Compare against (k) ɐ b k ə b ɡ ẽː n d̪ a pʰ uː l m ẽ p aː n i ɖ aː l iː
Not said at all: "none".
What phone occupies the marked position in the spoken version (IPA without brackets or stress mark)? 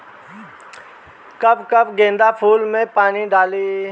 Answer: k